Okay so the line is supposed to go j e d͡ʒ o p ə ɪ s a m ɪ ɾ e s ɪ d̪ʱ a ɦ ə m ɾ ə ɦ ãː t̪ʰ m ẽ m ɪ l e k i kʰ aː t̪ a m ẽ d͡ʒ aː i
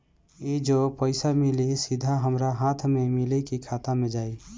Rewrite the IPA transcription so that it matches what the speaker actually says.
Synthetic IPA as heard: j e d͡ʒ o p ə ɪ s a m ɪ l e s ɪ d̪ʱ a ɦ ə m ɾ a ɦ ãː t̪ʰ m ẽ m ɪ l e k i kʰ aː t̪ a m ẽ d͡ʒ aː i